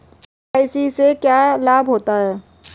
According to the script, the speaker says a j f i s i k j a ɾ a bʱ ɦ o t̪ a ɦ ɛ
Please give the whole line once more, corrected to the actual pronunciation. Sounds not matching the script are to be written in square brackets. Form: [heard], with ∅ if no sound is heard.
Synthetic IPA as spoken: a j [s] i s [e] k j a [l] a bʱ ɦ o t̪ a ɦ ɛ